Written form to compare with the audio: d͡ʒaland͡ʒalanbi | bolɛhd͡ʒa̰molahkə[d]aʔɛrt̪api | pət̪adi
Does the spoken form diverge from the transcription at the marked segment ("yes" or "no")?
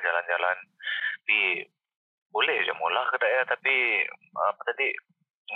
no